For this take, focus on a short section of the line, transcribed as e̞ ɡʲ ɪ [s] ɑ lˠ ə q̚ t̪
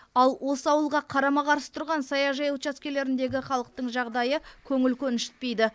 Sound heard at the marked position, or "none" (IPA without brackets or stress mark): χ